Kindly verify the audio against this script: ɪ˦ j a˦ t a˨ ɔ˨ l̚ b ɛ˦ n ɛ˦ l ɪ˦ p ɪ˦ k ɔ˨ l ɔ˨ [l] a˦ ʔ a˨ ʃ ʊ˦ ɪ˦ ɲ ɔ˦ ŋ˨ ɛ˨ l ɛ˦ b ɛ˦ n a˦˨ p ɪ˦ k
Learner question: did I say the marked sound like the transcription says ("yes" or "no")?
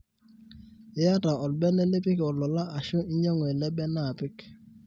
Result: yes